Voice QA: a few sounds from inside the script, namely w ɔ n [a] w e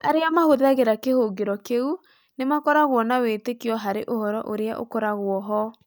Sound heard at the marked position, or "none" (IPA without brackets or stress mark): a